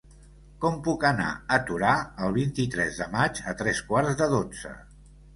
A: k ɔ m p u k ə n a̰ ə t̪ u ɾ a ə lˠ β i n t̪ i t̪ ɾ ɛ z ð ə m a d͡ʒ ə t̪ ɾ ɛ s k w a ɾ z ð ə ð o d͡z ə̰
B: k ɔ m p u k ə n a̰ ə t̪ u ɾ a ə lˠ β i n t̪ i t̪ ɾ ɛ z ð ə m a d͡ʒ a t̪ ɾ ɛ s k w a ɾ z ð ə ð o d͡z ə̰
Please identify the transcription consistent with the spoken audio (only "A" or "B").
A